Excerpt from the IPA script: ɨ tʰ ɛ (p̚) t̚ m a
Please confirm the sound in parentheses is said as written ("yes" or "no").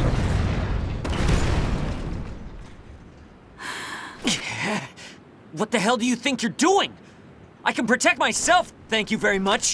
no